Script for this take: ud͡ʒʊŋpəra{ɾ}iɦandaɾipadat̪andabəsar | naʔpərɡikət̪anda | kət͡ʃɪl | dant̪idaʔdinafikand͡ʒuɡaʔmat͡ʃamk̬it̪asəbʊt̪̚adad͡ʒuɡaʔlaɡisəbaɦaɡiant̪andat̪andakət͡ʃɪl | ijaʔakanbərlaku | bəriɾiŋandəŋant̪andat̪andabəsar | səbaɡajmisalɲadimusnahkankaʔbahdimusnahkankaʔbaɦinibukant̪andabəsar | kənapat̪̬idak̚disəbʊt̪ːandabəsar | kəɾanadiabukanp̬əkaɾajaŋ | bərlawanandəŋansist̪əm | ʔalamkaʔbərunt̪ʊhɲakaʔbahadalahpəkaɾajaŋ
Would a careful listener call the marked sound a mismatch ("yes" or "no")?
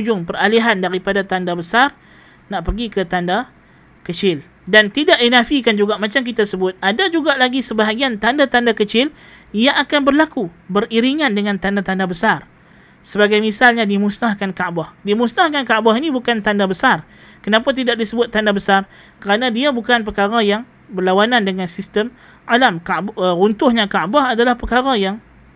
yes